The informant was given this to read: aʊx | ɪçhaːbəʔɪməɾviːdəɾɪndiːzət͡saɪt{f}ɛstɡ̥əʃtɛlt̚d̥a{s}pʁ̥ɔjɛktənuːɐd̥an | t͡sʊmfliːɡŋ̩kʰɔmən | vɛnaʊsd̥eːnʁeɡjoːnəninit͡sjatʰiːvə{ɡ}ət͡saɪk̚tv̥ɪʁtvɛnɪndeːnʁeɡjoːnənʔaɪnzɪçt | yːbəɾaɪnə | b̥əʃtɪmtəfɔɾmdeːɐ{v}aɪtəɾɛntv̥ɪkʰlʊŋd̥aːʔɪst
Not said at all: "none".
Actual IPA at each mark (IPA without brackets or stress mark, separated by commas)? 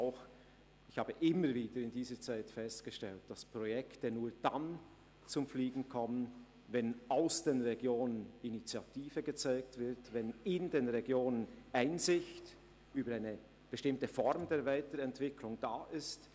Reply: f, s, ɡ, v